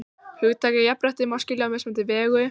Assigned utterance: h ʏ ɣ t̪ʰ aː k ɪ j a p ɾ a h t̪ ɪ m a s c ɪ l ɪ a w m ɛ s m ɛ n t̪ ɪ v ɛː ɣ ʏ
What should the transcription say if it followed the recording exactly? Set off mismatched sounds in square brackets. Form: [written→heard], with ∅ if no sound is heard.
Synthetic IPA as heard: h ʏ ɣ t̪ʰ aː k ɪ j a p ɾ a h t̪ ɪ m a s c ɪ l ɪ a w m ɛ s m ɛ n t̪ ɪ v ɛː ɣ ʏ